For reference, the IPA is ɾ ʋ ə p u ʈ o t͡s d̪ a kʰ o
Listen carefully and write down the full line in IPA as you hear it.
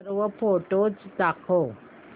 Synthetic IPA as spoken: ɾ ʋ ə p o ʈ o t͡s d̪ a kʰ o